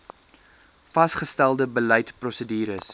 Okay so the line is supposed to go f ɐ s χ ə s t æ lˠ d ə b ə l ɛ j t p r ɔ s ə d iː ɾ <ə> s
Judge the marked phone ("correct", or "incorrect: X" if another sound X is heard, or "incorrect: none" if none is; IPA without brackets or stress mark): correct